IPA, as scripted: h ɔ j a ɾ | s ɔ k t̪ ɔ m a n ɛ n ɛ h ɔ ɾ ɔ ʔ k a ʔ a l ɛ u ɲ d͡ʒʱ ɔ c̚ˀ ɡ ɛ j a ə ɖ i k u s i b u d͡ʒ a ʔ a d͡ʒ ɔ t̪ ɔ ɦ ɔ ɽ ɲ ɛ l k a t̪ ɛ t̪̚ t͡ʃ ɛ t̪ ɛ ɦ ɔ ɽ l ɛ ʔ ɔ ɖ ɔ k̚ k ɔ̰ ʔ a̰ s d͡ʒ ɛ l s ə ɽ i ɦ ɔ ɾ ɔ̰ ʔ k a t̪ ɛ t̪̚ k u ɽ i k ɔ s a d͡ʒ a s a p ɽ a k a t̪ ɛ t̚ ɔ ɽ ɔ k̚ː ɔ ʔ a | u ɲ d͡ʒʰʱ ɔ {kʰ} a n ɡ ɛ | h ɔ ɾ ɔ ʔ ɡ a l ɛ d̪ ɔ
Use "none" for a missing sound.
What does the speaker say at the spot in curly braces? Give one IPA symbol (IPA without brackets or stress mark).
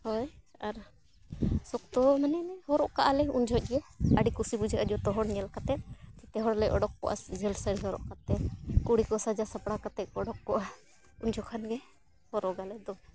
kʰ